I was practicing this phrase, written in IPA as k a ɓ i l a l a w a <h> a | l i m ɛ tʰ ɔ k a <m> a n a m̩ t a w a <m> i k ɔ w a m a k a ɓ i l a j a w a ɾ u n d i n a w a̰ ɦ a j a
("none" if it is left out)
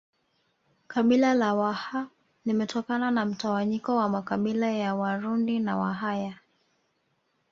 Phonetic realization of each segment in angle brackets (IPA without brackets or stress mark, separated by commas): h, n, ɲ